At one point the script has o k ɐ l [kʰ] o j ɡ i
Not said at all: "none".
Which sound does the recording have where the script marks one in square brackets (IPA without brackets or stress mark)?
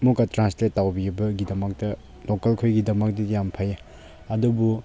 kʰ